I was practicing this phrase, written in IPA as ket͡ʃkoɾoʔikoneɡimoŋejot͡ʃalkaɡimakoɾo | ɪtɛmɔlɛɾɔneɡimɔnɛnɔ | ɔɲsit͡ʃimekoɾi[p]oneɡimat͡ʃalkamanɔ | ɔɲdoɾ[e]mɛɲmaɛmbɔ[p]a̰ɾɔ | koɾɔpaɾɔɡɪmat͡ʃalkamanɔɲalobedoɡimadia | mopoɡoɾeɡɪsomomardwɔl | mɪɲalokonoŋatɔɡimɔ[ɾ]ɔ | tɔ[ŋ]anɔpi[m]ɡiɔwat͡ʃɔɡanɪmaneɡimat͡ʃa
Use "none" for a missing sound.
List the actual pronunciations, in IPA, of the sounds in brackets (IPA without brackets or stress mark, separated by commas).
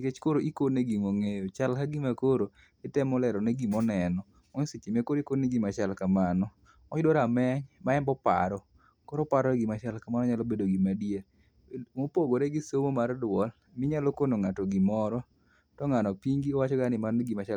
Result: k, a, p, ɾ, ŋ, ŋ